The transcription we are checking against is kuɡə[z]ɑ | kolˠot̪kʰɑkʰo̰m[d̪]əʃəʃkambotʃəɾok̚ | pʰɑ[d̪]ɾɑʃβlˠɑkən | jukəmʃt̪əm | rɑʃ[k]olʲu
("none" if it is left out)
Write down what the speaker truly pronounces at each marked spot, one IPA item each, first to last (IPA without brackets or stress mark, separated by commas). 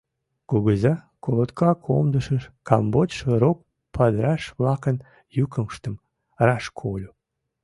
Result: z, d̪, d̪, kʰ